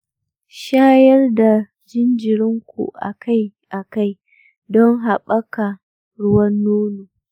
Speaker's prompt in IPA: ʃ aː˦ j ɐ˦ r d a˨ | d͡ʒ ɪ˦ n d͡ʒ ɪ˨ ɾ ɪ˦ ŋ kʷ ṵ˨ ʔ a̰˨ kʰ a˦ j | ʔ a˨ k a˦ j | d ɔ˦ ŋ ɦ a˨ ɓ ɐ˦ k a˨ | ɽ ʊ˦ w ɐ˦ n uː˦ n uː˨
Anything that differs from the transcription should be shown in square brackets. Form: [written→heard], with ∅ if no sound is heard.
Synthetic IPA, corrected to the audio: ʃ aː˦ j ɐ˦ r d a˨ | d͡ʒ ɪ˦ n d͡ʒ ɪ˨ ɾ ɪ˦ ŋ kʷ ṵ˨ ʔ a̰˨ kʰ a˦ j | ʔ a˨ k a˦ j | d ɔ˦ ŋ ɦ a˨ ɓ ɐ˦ k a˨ | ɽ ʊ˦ w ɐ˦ [n→nː] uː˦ n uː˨